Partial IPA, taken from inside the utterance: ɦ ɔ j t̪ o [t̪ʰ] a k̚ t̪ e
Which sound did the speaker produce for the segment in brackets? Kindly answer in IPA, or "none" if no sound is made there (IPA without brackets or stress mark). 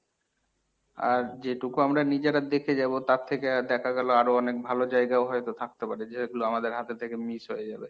t̪ʰ